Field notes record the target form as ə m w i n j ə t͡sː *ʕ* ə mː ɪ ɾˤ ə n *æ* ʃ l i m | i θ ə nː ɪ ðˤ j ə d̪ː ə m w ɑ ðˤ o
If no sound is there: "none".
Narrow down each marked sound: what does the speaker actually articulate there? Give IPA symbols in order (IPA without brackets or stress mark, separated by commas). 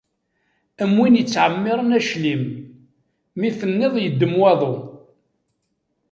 ʕ, æ